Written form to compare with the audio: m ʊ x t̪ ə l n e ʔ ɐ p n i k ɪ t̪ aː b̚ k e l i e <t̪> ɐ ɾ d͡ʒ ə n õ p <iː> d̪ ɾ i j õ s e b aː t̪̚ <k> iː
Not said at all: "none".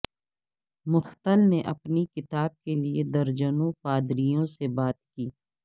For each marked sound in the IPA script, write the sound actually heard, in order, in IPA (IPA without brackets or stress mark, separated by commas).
d̪, aː, k